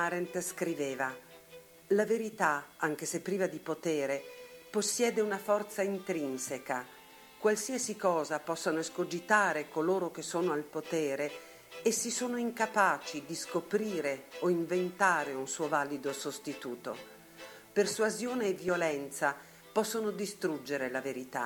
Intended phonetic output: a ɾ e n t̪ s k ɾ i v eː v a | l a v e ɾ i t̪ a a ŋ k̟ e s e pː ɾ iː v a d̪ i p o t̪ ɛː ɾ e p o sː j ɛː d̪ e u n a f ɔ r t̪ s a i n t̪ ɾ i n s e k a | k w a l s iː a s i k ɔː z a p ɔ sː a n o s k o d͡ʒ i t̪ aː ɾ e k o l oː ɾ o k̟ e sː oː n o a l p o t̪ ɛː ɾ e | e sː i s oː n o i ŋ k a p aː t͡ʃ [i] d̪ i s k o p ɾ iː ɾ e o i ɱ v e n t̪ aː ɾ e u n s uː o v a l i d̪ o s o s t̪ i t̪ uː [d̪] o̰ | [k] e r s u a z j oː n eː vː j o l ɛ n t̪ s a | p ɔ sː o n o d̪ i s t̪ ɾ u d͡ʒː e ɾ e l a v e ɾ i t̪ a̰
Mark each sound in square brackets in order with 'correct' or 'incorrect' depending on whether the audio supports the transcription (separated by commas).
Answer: correct, incorrect, incorrect